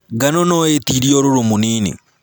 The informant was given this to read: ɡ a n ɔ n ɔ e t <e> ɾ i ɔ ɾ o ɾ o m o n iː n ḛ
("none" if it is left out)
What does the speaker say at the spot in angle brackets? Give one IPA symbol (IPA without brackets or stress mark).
i